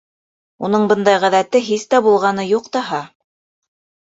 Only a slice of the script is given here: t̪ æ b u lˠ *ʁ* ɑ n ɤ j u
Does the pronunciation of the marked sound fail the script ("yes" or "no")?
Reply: no